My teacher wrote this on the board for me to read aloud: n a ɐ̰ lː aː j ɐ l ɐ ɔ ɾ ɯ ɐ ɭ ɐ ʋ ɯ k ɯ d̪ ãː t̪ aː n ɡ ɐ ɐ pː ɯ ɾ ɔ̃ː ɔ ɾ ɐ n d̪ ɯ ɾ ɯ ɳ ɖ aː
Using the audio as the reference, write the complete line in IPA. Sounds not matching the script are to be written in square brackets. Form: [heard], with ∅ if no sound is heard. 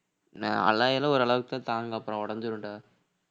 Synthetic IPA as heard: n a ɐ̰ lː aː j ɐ l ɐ ɔ ɾ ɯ ɐ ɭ ɐ ʋ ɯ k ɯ [t̪] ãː t̪ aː [ŋ] ɡ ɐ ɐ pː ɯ ɾ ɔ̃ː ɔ [ɽ] ɐ n d̪ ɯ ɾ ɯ ɳ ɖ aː

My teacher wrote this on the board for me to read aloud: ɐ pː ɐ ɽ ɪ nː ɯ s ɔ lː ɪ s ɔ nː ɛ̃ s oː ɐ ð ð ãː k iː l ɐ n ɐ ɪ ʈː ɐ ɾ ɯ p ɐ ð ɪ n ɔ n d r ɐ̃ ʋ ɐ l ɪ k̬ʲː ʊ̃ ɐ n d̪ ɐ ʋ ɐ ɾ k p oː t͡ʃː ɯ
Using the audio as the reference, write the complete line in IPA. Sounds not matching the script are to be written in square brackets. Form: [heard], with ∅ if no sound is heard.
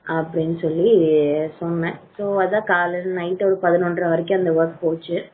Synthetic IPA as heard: ɐ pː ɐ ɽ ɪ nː ɯ s ɔ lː [i] s ɔ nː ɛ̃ s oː ɐ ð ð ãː k [aː] l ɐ n ɐ ɪ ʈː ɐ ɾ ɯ p ɐ ð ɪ n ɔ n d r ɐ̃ ʋ ɐ [ɾ] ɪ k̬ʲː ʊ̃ ɐ n d̪ ɐ ʋ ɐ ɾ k p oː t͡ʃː ɯ

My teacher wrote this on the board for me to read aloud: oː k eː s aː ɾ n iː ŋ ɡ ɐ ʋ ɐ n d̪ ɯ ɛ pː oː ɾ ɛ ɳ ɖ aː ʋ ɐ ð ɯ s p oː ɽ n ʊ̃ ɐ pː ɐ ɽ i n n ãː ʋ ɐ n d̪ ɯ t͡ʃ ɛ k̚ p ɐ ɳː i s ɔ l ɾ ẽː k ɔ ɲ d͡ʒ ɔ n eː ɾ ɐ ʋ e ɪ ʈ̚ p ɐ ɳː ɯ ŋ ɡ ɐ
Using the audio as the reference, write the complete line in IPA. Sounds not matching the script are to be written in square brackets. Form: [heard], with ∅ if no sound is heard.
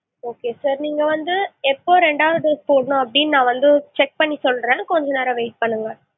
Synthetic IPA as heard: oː k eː s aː ɾ n iː ŋ ɡ ɐ ʋ ɐ n d̪ ɯ ɛ pː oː ɾ ɛ ɳ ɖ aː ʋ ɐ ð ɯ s p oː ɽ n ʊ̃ ɐ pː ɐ ɽ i n n ãː ʋ ɐ n d̪ ɯ t͡ʃ ɛ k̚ p ɐ ɳː i s ɔ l ɾ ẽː k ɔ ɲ d͡ʒ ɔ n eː ɾ ɐ ʋ e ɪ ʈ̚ p ɐ ɳː ɯ ŋ ɡ ɐ

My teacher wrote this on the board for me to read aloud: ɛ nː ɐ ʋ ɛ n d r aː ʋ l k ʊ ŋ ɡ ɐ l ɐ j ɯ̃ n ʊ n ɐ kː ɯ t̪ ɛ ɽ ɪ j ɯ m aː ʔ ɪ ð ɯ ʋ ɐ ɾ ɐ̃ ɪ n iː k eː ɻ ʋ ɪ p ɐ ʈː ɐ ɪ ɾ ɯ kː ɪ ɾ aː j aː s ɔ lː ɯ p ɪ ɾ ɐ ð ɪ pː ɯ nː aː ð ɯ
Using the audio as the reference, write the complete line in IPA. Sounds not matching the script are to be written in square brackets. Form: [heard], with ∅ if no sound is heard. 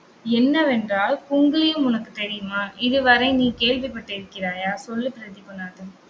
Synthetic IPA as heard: ɛ nː ɐ ʋ ɛ n d r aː [∅] l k ʊ ŋ ɡ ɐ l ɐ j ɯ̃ [m] ʊ n ɐ kː ɯ t̪ ɛ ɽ ɪ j ɯ m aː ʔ ɪ ð ɯ ʋ ɐ ɾ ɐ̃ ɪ n iː k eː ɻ ʋ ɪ p ɐ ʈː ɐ ɪ ɾ ɯ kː ɪ ɾ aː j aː s ɔ lː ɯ p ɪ ɾ ɐ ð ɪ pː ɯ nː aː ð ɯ

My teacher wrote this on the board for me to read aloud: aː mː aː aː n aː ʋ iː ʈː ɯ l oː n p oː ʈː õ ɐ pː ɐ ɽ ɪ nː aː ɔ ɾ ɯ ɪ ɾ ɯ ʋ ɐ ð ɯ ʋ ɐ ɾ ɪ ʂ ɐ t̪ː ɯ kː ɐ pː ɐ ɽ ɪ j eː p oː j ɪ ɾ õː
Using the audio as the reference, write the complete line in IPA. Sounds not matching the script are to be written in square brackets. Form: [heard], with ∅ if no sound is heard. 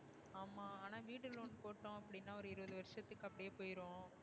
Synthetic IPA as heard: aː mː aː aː n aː ʋ iː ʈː ɯ l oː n p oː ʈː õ ɐ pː ɐ ɽ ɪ nː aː ɔ ɾ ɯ ɪ ɾ ɯ ʋ ɐ ð ɯ ʋ ɐ ɾ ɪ ʂ ɐ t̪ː ɯ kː ɐ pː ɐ ɽ ɪ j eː p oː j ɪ ɾ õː

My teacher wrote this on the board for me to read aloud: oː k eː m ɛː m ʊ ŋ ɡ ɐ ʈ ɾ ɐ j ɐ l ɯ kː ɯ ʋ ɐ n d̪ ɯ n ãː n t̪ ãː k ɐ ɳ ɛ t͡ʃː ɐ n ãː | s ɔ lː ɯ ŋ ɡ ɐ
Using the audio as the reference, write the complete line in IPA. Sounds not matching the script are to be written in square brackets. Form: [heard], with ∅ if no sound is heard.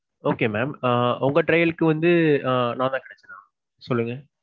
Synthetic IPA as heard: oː k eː m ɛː m ʊ ŋ ɡ ɐ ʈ ɾ ɐ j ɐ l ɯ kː ɯ ʋ ɐ n d̪ ɯ n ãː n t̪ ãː k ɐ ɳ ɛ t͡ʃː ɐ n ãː | s ɔ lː ɯ ŋ ɡ ɐ

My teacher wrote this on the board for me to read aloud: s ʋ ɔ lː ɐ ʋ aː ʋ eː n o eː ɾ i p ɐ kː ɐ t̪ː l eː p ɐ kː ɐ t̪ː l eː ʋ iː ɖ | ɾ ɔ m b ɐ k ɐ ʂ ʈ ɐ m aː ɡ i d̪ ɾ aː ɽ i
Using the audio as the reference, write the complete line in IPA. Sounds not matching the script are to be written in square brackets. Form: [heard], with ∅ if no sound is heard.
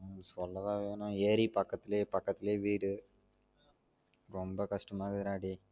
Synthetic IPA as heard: s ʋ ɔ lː ɐ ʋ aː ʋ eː n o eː ɾ i p ɐ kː ɐ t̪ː l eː p ɐ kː ɐ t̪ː l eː ʋ iː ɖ | ɾ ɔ m b ɐ k ɐ ʂ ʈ ɐ m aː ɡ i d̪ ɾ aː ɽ i

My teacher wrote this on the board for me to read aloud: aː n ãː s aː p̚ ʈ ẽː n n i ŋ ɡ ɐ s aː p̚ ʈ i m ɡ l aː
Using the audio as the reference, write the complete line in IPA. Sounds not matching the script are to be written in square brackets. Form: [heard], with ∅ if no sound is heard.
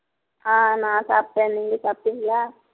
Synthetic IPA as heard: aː n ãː s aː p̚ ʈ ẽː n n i ŋ ɡ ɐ s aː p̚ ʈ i [ŋ] ɡ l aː

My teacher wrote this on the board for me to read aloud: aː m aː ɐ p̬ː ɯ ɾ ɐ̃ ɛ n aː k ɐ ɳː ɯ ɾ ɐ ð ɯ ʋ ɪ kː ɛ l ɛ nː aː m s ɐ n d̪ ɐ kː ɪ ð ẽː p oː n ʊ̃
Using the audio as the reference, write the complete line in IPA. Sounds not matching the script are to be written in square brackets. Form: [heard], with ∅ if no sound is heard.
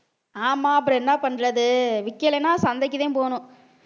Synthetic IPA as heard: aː m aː ɐ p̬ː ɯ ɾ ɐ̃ ɛ [nː] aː [p] ɐ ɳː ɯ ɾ ɐ ð ɯ ʋ ɪ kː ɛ l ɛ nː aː [∅] s ɐ n d̪ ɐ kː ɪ ð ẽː p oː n ʊ̃

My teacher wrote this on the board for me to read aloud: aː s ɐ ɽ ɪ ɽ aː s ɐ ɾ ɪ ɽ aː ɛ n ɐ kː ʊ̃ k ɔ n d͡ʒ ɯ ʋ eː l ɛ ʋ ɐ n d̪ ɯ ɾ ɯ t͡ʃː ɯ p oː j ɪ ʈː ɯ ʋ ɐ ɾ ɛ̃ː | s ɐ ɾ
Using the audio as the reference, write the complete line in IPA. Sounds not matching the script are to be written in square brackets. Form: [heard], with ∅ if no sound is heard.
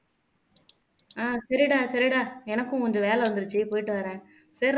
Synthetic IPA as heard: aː s ɐ [ɾ] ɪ ɽ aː s ɐ ɾ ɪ ɽ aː ɛ n ɐ kː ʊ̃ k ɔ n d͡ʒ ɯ ʋ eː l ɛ ʋ ɐ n d̪ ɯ ɾ ɯ t͡ʃː ɯ p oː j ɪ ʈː ɯ ʋ ɐ ɾ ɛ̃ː | s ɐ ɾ

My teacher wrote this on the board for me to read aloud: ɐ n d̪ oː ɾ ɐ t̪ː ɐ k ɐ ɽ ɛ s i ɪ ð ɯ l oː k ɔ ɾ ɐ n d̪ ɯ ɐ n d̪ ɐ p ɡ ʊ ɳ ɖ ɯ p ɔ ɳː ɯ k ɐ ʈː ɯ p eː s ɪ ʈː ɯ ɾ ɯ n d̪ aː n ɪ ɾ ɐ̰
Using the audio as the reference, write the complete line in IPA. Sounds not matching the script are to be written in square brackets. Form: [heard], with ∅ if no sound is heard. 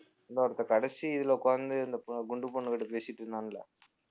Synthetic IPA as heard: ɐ n d̪ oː ɾ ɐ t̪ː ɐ k ɐ ɽ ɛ s i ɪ ð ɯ l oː k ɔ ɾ ɐ n d̪ ɯ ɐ n d̪ ɐ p ɡ ʊ ɳ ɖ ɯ p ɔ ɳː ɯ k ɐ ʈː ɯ p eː s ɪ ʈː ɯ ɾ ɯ n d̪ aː n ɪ [l] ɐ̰

